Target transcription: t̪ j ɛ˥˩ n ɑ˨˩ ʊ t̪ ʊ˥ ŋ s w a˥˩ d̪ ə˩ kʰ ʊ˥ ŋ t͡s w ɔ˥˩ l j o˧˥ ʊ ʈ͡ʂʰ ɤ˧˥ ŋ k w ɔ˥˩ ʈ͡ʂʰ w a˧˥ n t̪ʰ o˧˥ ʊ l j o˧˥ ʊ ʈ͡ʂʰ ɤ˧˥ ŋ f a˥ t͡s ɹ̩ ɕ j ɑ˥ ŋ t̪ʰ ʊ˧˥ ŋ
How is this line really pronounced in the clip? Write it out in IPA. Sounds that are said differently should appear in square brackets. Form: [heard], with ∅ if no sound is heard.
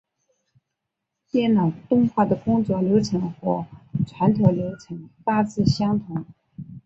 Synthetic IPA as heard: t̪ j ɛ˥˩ n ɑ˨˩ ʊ t̪ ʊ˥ ŋ [x] w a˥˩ d̪ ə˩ [k] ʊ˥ ŋ t͡s w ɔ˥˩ l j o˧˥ ʊ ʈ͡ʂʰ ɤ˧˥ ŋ [x] w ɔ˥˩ ʈ͡ʂʰ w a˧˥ n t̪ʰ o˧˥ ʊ l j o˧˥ ʊ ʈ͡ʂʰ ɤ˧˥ ŋ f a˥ t͡s ɹ̩ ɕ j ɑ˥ ŋ t̪ʰ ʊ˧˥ ŋ